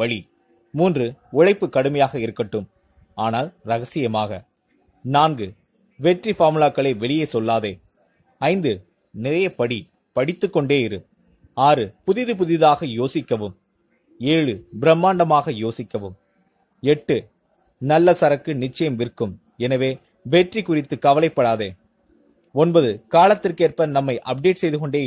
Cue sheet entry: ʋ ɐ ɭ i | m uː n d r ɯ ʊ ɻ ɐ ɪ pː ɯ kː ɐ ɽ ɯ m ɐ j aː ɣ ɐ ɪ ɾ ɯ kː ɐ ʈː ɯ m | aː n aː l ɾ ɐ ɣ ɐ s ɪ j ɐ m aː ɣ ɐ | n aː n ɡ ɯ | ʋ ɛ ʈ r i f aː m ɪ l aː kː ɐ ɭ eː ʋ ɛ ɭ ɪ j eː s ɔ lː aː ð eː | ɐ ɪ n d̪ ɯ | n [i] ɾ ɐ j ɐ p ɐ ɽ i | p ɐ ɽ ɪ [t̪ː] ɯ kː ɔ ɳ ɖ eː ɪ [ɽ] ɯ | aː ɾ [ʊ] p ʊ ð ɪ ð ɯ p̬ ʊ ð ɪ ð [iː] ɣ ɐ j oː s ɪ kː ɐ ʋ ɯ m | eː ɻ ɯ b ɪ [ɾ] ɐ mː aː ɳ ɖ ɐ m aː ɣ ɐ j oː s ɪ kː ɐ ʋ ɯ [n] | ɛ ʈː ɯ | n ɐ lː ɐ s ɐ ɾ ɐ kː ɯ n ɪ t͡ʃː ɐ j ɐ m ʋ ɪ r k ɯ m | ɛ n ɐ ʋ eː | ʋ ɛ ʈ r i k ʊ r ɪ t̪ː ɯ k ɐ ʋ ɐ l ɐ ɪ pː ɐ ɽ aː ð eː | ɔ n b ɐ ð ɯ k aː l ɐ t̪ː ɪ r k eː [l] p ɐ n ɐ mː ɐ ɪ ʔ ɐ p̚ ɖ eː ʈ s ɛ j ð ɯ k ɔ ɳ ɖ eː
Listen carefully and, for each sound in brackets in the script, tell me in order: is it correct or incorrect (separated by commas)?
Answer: incorrect, correct, incorrect, incorrect, incorrect, correct, incorrect, incorrect